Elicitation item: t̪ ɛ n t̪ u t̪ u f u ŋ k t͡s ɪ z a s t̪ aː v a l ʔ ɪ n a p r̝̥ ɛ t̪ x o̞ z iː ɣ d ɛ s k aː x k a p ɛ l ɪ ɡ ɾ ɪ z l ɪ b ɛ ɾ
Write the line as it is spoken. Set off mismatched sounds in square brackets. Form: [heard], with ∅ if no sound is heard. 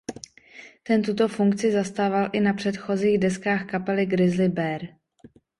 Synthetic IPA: t̪ ɛ n t̪ u t̪ [o] f u ŋ k t͡s ɪ z a s t̪ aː v a l ʔ ɪ n a p r̝̥ ɛ t̪ x o̞ z iː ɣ d ɛ s k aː x k a p ɛ l ɪ ɡ ɾ ɪ z l ɪ b ɛ ɾ